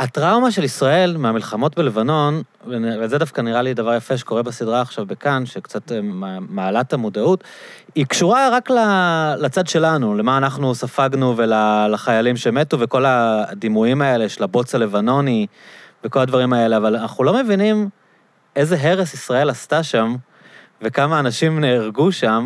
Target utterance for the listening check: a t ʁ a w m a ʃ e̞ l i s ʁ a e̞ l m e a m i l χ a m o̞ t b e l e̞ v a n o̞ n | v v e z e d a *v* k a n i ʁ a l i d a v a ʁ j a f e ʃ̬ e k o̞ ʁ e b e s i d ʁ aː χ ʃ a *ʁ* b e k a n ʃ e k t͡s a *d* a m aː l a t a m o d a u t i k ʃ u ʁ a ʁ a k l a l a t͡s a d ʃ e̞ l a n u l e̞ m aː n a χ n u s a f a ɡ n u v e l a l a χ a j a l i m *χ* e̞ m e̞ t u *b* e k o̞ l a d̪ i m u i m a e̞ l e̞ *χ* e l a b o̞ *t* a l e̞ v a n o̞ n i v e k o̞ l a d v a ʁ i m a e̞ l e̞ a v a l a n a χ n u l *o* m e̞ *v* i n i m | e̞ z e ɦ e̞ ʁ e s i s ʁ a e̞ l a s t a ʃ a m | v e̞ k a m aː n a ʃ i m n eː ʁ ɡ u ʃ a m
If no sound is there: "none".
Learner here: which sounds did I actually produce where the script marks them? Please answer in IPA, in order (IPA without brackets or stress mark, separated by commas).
f, v, t, ʃ, v, ʃ, t͡s, o, v